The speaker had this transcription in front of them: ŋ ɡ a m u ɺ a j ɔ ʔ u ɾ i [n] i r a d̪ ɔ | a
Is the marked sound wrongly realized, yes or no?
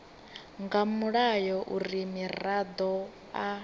yes